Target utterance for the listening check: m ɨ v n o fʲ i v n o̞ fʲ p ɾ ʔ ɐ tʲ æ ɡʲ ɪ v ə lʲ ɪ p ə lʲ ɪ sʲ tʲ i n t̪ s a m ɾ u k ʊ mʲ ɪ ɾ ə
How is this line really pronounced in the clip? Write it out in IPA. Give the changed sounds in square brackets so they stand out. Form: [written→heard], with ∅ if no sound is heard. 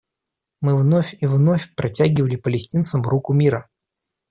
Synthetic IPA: m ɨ v n o fʲ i v n o̞ fʲ p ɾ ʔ ɐ tʲ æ ɡʲ ɪ v ə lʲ ɪ p ə lʲ ɪ sʲ tʲ i n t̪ s [a→ə] m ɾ u k ʊ mʲ [ɪ→i] ɾ ə